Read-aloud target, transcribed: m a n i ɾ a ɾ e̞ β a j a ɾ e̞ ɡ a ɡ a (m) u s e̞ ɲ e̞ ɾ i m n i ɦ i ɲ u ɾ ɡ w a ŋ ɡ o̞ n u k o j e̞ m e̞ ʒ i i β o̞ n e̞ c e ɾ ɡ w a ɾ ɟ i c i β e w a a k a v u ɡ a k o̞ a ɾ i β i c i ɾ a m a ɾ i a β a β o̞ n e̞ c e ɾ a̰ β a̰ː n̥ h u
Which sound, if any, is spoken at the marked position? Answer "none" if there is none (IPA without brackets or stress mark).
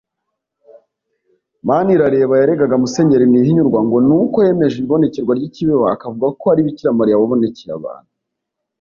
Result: m